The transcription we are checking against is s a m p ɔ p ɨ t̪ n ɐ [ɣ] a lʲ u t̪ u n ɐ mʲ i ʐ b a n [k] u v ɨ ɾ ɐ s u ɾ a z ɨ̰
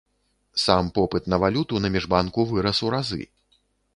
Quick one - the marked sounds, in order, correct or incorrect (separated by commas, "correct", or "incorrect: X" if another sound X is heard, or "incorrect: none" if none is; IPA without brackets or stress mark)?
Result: incorrect: v, correct